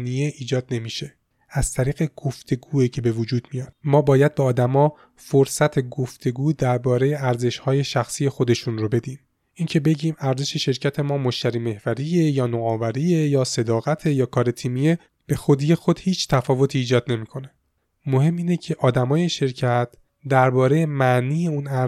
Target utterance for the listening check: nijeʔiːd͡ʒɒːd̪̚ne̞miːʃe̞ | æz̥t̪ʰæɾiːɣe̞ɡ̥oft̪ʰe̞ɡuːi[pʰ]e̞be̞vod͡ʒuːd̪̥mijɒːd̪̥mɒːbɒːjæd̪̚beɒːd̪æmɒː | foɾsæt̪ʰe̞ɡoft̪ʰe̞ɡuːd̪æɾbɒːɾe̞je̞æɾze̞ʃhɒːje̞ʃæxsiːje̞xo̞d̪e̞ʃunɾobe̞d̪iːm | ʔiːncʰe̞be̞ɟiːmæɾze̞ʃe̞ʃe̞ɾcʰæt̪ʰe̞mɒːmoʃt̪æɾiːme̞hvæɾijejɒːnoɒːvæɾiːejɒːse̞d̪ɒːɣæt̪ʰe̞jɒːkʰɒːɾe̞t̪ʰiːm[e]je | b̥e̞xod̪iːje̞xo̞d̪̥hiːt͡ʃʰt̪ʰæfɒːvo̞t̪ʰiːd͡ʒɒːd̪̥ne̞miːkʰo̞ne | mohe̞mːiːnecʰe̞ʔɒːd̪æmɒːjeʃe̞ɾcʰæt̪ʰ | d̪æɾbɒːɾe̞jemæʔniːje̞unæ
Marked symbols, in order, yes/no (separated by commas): no, no